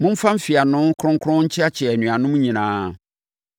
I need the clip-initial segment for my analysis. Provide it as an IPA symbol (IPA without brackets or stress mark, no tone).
m